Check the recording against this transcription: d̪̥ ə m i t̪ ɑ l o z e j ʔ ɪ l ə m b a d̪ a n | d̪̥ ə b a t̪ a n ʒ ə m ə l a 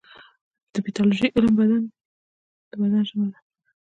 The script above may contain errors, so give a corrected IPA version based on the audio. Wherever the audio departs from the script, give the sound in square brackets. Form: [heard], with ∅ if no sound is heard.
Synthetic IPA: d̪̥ ə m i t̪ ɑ l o [ʒ] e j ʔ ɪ l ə m b a d̪ a n | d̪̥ ə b a [d̪] a n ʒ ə m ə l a